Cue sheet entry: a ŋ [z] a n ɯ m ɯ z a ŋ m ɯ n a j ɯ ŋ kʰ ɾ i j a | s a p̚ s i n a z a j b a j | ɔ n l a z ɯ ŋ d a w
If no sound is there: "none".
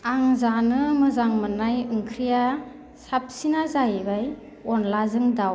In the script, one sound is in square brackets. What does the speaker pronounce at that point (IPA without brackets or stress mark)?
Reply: z